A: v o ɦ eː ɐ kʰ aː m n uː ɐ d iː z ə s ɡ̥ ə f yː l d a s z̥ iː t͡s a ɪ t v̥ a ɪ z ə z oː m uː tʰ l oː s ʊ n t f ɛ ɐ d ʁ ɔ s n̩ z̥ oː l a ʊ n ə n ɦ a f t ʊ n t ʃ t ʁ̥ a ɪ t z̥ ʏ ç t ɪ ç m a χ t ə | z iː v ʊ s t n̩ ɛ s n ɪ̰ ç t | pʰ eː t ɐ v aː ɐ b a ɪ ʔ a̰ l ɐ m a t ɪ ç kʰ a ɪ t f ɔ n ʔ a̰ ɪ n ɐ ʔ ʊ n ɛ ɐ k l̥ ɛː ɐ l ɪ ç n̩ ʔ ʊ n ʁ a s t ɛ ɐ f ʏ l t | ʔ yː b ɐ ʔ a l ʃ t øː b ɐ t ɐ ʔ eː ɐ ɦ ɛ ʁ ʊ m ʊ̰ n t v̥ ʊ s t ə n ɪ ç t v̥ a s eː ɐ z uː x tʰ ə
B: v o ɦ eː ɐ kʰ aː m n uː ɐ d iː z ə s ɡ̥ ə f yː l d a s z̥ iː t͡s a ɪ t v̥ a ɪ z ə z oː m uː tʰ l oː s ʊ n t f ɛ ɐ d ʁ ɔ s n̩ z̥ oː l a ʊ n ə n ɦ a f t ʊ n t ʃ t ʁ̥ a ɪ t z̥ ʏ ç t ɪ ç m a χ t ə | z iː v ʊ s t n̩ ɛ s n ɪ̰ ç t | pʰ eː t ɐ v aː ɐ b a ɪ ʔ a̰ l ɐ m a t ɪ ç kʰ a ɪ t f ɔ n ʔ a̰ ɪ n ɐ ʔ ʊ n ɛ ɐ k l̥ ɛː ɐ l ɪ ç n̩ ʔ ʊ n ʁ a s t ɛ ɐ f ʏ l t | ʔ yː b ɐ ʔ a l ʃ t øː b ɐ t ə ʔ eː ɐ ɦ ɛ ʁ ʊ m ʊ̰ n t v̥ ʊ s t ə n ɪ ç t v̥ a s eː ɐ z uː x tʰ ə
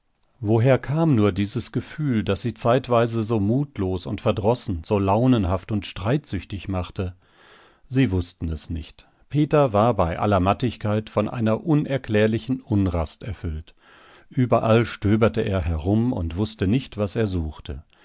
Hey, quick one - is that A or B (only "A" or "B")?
B